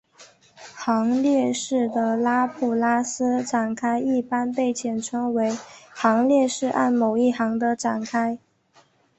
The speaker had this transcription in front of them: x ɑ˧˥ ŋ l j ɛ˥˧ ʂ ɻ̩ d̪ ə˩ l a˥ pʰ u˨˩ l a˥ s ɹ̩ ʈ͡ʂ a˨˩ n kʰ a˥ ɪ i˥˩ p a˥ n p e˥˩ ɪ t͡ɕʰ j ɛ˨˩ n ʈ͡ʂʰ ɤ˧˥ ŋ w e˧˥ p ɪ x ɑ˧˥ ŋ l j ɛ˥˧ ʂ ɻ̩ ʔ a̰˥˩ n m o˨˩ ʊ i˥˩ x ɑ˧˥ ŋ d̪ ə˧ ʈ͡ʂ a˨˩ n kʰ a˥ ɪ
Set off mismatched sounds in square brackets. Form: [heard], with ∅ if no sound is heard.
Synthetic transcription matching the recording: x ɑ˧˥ ŋ l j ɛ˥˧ ʂ ɻ̩ d̪ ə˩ l a˥ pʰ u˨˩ l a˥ s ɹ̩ ʈ͡ʂ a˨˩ n kʰ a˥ ɪ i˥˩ p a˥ n p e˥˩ ɪ t͡ɕʰ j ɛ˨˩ n ʈ͡ʂʰ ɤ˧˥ ŋ w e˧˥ [∅] ɪ x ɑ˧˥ ŋ l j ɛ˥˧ ʂ ɻ̩ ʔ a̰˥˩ n m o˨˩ ʊ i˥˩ x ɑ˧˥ ŋ d̪ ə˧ ʈ͡ʂ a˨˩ n kʰ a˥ ɪ